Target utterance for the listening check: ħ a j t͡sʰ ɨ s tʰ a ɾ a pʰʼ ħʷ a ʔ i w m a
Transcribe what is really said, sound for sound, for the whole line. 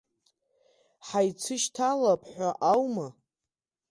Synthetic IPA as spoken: ħ a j t͡sʰ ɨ ʃ tʰ a l a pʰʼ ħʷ a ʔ a w m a